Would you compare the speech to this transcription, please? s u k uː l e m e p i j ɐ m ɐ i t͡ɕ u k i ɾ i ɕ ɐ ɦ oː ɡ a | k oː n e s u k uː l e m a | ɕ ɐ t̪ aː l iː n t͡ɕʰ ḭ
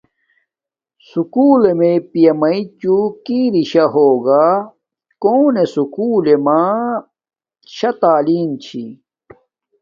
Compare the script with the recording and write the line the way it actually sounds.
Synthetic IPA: s u k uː l e m e p i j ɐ m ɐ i t͡ɕ u k i ɾ i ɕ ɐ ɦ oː ɡ a | k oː n e s u k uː l e m a | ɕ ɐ t̪ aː l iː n t͡ɕʰ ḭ